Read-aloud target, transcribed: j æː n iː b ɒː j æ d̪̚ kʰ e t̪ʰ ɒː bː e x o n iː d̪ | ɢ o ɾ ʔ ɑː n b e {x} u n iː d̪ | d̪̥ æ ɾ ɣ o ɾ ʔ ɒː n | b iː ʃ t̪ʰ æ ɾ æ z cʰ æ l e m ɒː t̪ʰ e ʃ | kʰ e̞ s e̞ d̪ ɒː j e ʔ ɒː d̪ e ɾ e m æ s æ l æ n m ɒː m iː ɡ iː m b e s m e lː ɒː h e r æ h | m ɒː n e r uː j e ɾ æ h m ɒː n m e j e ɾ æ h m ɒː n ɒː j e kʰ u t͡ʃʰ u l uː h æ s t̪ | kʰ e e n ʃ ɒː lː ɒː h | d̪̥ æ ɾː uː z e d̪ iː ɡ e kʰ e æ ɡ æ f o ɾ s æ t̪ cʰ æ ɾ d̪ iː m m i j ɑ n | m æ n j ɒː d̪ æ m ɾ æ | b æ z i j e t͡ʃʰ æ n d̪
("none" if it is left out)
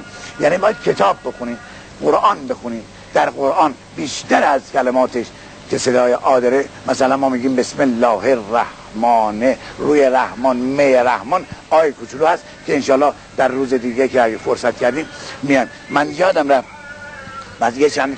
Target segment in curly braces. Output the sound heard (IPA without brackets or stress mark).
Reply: x